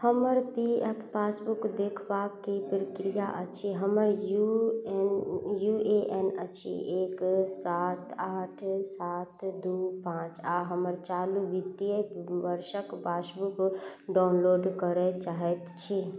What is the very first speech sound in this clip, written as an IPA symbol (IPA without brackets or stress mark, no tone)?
h